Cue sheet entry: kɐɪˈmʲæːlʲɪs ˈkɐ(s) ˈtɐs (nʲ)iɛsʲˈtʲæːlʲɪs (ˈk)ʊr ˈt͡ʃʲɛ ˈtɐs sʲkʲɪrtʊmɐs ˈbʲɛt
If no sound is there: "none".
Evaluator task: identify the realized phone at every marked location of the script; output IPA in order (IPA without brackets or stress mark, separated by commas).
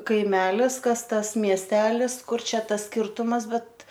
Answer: s, mʲ, k